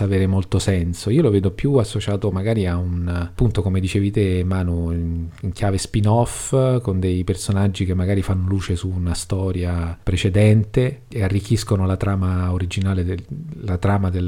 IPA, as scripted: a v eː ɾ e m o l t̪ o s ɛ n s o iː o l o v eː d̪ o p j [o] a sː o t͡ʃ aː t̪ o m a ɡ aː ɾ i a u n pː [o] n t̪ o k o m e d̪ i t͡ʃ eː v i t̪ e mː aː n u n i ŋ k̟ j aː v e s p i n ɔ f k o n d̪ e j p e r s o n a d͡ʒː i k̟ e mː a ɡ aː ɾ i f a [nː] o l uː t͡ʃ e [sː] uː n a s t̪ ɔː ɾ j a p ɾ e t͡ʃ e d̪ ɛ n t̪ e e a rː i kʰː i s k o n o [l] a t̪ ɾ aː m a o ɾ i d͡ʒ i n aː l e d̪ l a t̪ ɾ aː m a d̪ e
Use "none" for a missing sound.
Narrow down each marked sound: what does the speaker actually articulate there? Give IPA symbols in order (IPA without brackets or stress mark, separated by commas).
u, u, nː, s, l